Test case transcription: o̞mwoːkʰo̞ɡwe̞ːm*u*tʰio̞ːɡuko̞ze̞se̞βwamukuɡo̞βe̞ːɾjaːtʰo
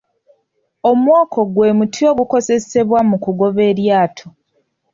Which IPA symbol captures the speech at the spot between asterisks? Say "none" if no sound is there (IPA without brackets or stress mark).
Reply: u